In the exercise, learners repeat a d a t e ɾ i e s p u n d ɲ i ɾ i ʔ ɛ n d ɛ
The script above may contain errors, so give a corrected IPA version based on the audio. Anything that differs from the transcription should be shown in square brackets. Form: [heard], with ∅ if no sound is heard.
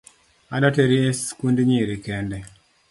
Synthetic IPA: a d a t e ɾ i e s [k] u n d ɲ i ɾ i [k] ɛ n d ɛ